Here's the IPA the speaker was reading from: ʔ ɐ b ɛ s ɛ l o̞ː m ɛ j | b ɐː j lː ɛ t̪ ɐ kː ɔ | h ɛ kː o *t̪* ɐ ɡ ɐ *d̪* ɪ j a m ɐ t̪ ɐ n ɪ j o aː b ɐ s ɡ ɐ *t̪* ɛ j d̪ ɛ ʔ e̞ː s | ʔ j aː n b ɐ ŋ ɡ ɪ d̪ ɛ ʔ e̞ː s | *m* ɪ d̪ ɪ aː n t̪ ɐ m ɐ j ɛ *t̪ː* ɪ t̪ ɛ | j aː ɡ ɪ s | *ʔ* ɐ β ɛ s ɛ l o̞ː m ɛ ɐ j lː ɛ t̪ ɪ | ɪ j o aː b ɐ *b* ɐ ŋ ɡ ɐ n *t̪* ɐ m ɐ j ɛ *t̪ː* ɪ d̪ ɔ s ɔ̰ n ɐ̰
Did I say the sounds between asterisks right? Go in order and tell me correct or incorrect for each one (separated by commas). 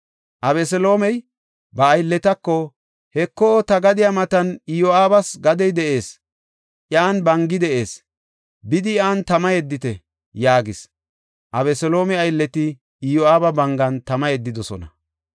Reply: correct, correct, incorrect, incorrect, incorrect, correct, correct, correct, incorrect